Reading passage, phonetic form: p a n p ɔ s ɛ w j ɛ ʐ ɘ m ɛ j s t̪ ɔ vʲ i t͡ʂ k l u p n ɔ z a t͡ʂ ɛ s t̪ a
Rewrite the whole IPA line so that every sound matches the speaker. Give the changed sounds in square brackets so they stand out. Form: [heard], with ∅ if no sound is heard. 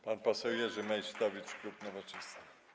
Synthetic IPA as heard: p a n p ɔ s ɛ w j ɛ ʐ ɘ m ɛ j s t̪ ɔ vʲ i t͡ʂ k l u p n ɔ [v] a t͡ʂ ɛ s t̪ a